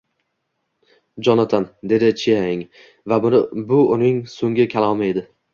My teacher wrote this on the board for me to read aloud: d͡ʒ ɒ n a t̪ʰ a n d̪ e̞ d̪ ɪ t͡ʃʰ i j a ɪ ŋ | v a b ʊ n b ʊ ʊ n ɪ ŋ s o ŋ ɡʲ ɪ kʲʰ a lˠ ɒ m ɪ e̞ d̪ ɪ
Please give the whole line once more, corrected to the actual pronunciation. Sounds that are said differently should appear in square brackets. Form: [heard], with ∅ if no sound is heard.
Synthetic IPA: d͡ʒ ɒ n a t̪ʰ a n d̪ e̞ d̪ ɪ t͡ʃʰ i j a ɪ ŋ | v a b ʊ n b ʊ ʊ n ɪ ŋ s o ŋ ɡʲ ɪ kʲʰ a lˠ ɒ m ɪ e̞ d̪ ɪ